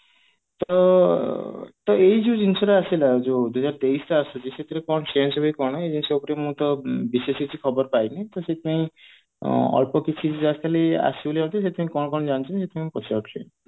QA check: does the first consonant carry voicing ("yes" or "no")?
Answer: no